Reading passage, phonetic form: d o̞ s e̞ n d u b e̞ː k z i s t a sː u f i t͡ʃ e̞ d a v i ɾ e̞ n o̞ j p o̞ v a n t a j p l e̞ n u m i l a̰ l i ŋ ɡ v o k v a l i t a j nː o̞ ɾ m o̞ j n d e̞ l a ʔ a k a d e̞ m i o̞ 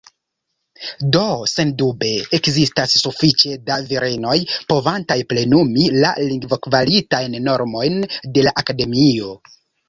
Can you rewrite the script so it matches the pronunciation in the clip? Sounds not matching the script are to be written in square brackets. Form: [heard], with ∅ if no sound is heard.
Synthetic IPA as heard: d o̞ s e̞ n d u b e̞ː k z i s t a sː u f i t͡ʃ e̞ d a v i ɾ e̞ n o̞ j p o̞ v a n t a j p l e̞ n u m i l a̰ l i ŋ ɡ v o k v a l i t a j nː o̞ ɾ m o̞ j n d e̞ l a ʔ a k a d e̞ m i o̞

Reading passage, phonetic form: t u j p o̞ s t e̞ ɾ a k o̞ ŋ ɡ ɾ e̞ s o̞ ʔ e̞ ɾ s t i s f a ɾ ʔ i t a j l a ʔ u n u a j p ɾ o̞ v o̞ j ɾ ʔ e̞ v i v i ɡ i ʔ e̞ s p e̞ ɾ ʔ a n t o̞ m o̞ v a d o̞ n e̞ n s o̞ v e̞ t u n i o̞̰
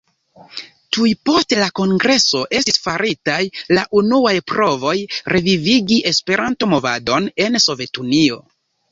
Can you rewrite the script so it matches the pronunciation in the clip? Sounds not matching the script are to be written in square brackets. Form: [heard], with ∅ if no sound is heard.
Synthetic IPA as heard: t u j p o̞ s t e̞ [l] a k o̞ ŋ ɡ ɾ e̞ s o̞ ʔ e̞ [∅] s t i s f a ɾ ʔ i t a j l a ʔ u n u a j p ɾ o̞ v o̞ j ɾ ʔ e̞ v i v i ɡ i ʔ e̞ s p e̞ ɾ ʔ a n t o̞ m o̞ v a d o̞ n e̞ n s o̞ v e̞ t u n i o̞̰

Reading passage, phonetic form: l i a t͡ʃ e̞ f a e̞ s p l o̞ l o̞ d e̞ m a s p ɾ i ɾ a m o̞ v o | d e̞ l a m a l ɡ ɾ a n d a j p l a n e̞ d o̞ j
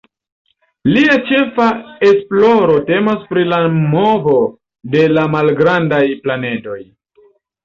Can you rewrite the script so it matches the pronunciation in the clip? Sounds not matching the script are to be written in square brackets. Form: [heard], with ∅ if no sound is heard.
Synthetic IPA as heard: l i a t͡ʃ e̞ f a e̞ s p l o̞ [ɾ] o̞ [t] e̞ m a s p ɾ i [l] a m o̞ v o | d e̞ l a m a l ɡ ɾ a n d a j p l a n e̞ d o̞ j

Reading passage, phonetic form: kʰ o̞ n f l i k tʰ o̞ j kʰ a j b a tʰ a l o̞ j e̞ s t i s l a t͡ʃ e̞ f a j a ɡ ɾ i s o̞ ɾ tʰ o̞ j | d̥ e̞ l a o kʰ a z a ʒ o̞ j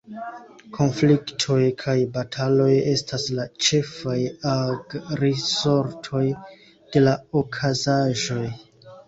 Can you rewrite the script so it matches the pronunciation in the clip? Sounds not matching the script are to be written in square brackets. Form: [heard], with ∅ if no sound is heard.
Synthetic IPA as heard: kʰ o̞ n f l i k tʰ o̞ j kʰ a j b a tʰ a l o̞ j e̞ s t [a] s l a t͡ʃ e̞ f a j a ɡ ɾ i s o̞ ɾ tʰ o̞ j | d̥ e̞ l a o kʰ a z a ʒ o̞ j

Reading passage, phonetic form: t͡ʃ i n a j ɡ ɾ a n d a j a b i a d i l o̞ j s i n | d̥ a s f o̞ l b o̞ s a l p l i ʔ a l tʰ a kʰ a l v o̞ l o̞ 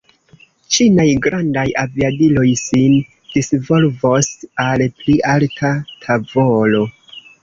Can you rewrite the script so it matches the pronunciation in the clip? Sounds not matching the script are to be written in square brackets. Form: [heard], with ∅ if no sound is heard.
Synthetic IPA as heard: t͡ʃ i n a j ɡ ɾ a n d a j a [v] i a d i l o̞ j s i n | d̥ [i] s [v] o̞ l [v] o̞ s a l p l i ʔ a l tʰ a [tʰ] a [∅] v o̞ l o̞

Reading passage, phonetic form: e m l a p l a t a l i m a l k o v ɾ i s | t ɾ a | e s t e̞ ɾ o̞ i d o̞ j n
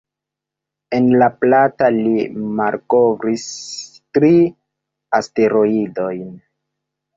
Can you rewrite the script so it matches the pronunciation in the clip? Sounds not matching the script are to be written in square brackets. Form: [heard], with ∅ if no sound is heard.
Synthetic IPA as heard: e [n] l a p l a t a l i m a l k o v ɾ i s | t ɾ [i] | [a] s t e̞ ɾ o̞ i d o̞ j n

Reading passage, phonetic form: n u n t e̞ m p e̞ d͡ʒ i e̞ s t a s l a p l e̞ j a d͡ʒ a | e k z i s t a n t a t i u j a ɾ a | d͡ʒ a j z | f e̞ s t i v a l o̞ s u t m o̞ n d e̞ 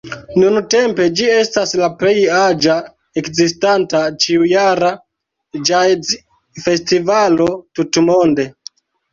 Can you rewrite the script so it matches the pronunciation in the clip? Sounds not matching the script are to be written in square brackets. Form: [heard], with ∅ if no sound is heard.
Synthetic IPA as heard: n u n t e̞ m p e̞ d͡ʒ i e̞ s t a s l a p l e̞ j a d͡ʒ a | e k z i s t a n t a [t͡ʃ] i u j a ɾ a | d͡ʒ a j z | f e̞ s t i v a l o̞ [t] u t m o̞ n d e̞

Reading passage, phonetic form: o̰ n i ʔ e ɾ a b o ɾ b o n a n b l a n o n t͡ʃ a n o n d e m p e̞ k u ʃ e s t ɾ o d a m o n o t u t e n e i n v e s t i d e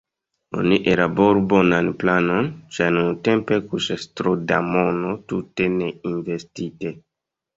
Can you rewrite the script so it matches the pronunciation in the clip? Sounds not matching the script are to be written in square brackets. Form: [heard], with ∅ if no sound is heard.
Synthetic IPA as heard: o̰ n i ʔ e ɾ a b o ɾ b o n a n [p] l a n o n t͡ʃ a n [u] n [t] e m p e̞ k u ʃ [a] s t ɾ o d a m o n o t u t e n e i n v e s t i [t] e

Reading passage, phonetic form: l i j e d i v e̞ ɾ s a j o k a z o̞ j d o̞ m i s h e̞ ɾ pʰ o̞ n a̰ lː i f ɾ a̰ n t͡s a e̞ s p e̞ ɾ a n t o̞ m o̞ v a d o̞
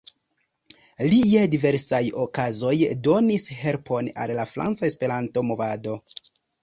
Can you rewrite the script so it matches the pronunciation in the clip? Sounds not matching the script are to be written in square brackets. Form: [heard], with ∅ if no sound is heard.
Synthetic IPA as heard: l i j e d i v e̞ ɾ s a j o k a z o̞ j d o̞ [n] i s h e̞ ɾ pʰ o̞ n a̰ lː [a] f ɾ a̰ n t͡s a e̞ s p e̞ ɾ a n t o̞ m o̞ v a d o̞

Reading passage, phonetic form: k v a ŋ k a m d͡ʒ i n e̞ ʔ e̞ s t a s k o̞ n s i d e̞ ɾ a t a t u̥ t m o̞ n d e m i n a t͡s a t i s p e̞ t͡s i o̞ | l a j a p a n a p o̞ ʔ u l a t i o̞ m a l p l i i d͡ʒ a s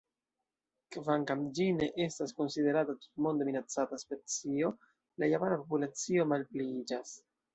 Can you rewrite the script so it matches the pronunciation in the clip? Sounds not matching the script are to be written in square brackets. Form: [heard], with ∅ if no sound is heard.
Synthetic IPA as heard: k v a ŋ k a m d͡ʒ i n e̞ ʔ e̞ s t a s k o̞ n s i d e̞ ɾ a t a t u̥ t m o̞ n d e m i n a t͡s a t [a] s p e̞ t͡s i o̞ | l a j a p a n a p o̞ [p] u l a [t͡s] i o̞ m a l p l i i d͡ʒ a s

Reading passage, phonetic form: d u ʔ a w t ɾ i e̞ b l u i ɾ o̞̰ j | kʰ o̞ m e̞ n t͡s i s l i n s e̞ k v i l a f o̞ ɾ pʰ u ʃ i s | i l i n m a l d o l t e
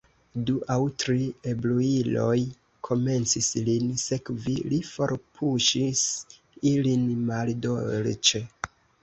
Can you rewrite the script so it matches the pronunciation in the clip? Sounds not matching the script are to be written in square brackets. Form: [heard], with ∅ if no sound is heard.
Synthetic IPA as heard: d u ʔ a w t ɾ i e̞ b l u i [l] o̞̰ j | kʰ o̞ m e̞ n t͡s i s l i n s e̞ k v i l [i] f o̞ ɾ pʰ u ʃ i s | i l i n m a l d o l [t͡ʃ] e

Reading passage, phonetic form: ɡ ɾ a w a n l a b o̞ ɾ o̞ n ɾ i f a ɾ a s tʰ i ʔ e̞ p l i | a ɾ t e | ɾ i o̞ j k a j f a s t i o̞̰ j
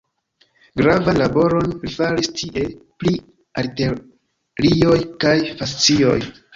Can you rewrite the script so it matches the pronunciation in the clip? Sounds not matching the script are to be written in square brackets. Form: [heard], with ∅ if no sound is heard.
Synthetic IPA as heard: ɡ ɾ a [v] a n l a b o̞ ɾ o̞ n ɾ i f a ɾ [i] s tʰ i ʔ e̞ p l i | a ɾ t e | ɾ i o̞ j k a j f a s [t͡s] i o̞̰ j

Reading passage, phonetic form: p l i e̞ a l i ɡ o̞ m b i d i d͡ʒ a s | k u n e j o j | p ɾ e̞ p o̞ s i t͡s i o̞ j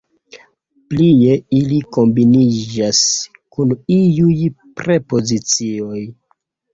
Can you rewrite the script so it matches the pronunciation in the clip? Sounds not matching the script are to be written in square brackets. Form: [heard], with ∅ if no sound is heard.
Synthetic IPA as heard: p l i e̞ [i] l i [k] o̞ m b i [n] i d͡ʒ a s | k u n [i] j [u] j | p ɾ e̞ p o̞ [z] i t͡s i o̞ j

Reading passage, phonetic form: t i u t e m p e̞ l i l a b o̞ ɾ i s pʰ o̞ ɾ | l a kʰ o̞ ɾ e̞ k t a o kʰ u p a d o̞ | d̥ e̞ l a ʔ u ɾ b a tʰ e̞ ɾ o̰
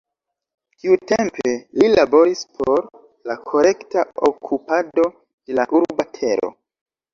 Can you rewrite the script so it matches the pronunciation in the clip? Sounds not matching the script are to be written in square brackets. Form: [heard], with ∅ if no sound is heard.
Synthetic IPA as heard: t i u t e m p e̞ l i l a b o̞ ɾ i s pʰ o̞ ɾ | l a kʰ o̞ ɾ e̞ k t a o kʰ u p a d o̞ | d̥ e̞ l a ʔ u ɾ b a tʰ e̞ ɾ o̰

